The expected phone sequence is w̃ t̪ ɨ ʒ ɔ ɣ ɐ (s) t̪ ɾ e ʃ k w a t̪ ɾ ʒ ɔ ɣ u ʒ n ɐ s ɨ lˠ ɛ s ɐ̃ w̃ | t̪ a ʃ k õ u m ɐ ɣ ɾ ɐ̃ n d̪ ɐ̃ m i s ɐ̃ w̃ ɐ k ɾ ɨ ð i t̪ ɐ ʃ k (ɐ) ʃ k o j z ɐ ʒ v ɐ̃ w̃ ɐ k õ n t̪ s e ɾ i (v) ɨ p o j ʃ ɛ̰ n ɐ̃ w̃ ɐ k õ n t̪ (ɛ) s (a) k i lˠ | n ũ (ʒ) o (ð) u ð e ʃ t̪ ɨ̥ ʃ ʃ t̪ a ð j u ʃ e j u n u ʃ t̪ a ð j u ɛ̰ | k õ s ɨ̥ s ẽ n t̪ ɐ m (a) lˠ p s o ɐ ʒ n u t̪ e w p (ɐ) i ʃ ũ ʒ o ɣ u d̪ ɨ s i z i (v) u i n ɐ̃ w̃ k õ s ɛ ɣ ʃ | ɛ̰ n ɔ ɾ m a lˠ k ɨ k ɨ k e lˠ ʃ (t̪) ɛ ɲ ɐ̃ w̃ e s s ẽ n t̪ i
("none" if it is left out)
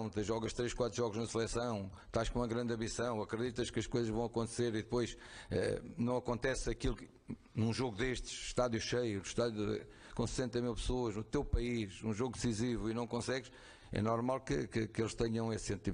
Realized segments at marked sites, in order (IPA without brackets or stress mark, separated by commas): ʃ, ɐ, ð, ɛ, ɐ, ʒ, ɣ, i, ɐ, v, t̪